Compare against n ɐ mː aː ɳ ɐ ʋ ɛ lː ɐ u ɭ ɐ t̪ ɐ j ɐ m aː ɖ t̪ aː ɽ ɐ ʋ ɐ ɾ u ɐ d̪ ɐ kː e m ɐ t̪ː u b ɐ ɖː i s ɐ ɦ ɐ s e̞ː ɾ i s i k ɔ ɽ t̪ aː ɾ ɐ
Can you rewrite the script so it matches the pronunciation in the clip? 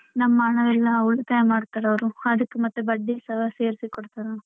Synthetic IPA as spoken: n ɐ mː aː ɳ ɐ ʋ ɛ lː ɐ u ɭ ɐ t̪ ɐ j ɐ m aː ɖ t̪ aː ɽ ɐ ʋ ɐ ɾ u ɐ d̪ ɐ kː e m ɐ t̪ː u b ɐ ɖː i s ɐ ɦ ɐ s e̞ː ɾ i s i k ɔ ɽ t̪ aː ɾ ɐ

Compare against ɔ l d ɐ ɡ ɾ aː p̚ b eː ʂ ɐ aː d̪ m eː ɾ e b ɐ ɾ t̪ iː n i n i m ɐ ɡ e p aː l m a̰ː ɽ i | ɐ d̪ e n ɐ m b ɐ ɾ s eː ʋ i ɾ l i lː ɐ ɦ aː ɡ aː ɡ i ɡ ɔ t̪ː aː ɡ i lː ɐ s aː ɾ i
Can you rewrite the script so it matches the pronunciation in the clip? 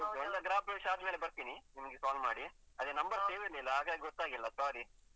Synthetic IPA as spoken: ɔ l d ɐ ɡ ɾ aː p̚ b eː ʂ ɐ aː d̪ m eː l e b ɐ ɾ t̪ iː n i n i m ɐ ɡ e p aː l m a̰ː ɽ i | ɐ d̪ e n ɐ m b ɐ ɾ s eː ʋ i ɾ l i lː ɐ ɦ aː ɡ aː ɡ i ɡ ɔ t̪ː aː ɡ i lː ɐ s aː ɾ i

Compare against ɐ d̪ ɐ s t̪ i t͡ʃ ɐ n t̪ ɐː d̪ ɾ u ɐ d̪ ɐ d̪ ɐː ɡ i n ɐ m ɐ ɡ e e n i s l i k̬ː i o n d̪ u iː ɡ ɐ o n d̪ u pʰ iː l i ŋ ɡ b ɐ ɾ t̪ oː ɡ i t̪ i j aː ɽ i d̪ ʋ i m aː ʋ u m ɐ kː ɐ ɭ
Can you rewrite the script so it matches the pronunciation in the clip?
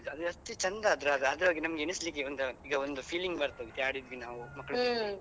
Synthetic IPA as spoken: ɐ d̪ ɐ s t̪ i t͡ʃ ɐ n d̪ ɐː d̪ ɾ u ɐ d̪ ɐ d̪ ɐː ɡ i n ɐ m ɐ ɡ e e n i s l i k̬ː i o n d̪ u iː ɡ ɐ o n d̪ u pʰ iː l i ŋ ɡ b ɐ ɾ t̪ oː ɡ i t̪ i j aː ɽ i d̪ ʋ i n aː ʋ u m ɐ kː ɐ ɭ

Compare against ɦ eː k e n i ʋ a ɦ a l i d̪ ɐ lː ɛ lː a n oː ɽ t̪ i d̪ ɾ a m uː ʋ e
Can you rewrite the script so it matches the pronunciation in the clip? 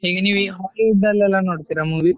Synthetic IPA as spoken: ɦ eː ɡ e n i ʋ i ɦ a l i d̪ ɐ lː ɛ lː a n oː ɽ t̪ i ɾ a m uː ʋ i

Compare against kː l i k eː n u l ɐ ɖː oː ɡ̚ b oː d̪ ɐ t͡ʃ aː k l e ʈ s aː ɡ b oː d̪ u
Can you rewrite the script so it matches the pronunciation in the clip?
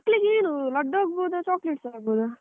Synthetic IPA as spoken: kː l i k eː n u l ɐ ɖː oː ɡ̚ b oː d̪ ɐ t͡ʃ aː k l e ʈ s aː ɡ b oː d̪ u

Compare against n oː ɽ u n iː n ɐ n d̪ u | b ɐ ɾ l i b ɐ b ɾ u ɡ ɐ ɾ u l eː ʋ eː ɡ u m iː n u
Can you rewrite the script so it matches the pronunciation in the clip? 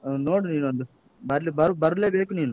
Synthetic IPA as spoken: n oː ɽ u n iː n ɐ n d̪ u | b ɐ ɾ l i b ɐ ɾ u b ɐ ɾ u l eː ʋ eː k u n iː n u

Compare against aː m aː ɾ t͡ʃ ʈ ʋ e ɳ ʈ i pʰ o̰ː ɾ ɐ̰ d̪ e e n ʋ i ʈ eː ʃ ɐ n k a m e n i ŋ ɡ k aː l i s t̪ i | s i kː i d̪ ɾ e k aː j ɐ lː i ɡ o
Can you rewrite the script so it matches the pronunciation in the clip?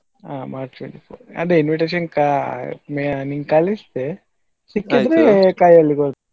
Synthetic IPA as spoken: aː m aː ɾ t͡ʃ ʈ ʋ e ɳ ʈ i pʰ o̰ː ɾ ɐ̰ d̪ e i n ʋ i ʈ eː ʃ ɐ n k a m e n i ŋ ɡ k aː l i s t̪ e | s i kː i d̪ ɾ e k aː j ɐ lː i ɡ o

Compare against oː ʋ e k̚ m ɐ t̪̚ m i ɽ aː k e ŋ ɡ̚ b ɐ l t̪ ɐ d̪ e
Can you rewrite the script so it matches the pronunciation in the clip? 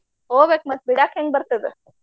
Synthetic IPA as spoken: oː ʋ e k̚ m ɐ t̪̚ b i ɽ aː k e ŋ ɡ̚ b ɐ ɾ t̪ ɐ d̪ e

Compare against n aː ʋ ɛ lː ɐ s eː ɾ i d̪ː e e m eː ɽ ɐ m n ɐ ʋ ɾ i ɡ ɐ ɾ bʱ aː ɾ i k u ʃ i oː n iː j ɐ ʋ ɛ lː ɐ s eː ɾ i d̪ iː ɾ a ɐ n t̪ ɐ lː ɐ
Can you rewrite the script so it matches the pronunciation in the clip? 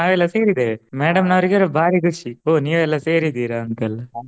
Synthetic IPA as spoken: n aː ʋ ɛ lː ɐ s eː ɾ i d̪ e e m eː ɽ ɐ m n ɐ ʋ ɾ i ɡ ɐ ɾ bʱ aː ɾ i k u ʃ i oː n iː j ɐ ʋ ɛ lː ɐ s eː ɾ i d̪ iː ɾ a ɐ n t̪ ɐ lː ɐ

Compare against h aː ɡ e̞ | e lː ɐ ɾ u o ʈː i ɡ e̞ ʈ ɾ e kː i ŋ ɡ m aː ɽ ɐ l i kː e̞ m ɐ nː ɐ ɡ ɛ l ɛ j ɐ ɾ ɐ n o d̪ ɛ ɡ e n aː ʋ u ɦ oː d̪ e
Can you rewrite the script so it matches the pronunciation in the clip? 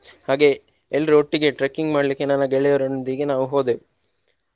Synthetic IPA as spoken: h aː ɡ e̞ | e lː ɐ ɾ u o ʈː i ɡ e̞ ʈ ɾ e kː i ŋ ɡ m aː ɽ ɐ l i kː e̞ n ɐ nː ɐ ɡ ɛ ɭ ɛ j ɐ ɾ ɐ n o d̪ i ɡ e n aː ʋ u ɦ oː d̪ e

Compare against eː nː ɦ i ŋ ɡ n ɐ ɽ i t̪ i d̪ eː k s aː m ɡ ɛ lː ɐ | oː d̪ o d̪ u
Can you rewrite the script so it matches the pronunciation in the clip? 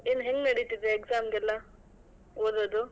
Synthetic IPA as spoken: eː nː ɦ e ŋ ɡ n ɐ ɽ i t̪ i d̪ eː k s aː m ɡ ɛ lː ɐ | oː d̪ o d̪ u

